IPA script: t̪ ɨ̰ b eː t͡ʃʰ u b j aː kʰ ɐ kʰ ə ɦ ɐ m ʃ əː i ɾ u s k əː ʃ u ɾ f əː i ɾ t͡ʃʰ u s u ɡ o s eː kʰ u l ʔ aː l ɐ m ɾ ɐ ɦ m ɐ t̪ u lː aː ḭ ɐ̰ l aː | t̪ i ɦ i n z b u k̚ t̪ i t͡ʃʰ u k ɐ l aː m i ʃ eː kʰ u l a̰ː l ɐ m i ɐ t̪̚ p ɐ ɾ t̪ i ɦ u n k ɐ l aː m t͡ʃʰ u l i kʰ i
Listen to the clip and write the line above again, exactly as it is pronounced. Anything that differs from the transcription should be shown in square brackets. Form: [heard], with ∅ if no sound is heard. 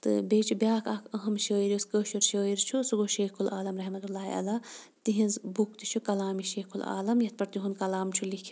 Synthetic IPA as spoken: t̪ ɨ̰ b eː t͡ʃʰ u b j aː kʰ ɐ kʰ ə ɦ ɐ m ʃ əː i ɾ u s k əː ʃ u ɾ [ʃ] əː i ɾ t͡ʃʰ u s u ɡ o [ʃ] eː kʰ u l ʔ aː l ɐ m ɾ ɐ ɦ m ɐ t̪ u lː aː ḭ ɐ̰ l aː | t̪ i ɦ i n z b u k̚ t̪ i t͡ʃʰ u k ɐ l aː m i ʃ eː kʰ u l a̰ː l ɐ m [j] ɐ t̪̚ p ɐ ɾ t̪ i ɦ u n k ɐ l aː m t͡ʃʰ u l i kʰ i

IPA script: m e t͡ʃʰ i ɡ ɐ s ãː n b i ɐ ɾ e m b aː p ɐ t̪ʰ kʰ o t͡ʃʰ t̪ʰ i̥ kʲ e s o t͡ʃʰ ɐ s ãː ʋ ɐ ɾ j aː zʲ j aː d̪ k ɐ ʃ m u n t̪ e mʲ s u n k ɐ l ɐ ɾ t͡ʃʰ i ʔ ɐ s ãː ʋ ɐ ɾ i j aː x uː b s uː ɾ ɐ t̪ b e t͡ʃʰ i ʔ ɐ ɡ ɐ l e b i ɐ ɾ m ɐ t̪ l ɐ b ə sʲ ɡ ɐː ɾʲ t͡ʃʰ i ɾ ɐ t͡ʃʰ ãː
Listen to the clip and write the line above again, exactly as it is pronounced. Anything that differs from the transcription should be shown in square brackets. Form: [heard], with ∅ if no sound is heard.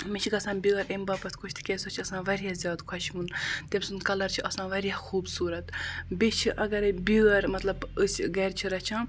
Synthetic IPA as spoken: m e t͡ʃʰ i ɡ ɐ s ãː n b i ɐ ɾ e m b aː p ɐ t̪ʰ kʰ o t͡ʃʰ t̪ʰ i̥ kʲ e s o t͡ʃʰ ɐ s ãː ʋ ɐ ɾ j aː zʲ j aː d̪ [kʰ] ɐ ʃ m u n t̪ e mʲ s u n k ɐ l ɐ ɾ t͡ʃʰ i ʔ ɐ s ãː ʋ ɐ ɾ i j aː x uː b s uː ɾ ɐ t̪ b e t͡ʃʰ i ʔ ɐ ɡ ɐ [ɾ] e b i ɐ ɾ m ɐ t̪ l ɐ b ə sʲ ɡ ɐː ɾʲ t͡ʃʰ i ɾ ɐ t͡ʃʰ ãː

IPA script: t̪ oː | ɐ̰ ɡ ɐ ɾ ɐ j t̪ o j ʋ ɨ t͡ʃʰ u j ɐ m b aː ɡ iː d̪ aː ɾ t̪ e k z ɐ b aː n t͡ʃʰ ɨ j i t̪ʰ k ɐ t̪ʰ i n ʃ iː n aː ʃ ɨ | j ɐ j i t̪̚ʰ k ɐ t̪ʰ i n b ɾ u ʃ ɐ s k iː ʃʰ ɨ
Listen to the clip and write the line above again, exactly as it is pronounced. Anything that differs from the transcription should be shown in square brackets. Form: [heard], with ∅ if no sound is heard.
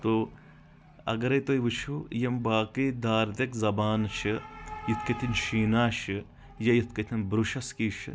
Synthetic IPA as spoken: t̪ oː | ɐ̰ ɡ ɐ ɾ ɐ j t̪ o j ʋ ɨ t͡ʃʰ u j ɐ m b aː [k] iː d̪ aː ɾ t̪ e k z ɐ b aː n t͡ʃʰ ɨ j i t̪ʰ k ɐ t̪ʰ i n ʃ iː n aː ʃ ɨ | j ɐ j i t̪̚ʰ k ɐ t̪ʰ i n b ɾ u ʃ ɐ s k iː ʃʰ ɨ

